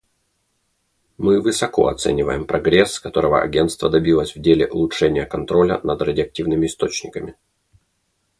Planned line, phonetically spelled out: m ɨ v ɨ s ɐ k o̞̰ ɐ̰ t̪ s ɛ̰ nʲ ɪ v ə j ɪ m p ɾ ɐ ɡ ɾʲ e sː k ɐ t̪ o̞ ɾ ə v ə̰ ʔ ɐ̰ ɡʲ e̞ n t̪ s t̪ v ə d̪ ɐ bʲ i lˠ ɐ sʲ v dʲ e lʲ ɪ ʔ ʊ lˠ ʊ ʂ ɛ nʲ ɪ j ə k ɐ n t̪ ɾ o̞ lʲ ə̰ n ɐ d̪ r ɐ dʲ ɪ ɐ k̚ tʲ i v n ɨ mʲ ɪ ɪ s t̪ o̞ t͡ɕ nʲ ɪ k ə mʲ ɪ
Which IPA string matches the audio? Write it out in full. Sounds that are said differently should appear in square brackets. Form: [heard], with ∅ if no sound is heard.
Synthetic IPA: m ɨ v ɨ s ɐ k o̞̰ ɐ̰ t̪ s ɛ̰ nʲ ɪ v ə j ɪ m p ɾ ɐ ɡ ɾʲ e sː k ɐ t̪ o̞ ɾ ə v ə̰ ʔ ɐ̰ ɡʲ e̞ n t̪ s t̪ v ə d̪ ɐ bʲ i lˠ [ə] sʲ v dʲ e lʲ ɪ ʔ ʊ lˠ ʊ ʂ ɛ nʲ ɪ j ə k ɐ n t̪ ɾ o̞ lʲ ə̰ n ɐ d̪ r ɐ dʲ ɪ ɐ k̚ tʲ i v n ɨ mʲ ɪ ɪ s t̪ o̞ t͡ɕ nʲ ɪ k ə mʲ ɪ